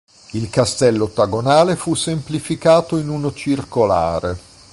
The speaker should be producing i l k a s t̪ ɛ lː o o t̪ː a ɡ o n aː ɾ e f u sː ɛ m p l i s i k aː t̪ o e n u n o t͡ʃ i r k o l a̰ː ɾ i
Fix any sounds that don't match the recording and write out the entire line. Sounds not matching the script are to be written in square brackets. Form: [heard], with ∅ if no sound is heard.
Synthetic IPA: i l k a s t̪ ɛ lː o o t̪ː a ɡ o n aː [l] e f u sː [e] m p l i [f] i k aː t̪ o [i] n u n o t͡ʃ i r k o l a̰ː ɾ [e]